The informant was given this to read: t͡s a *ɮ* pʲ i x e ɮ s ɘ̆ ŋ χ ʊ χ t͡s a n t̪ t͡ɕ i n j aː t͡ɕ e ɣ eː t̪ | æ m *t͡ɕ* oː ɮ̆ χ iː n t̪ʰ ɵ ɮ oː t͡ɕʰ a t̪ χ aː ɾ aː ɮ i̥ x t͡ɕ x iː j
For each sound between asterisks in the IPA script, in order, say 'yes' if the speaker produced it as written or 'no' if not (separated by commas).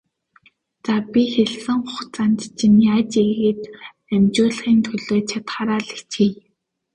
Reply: no, yes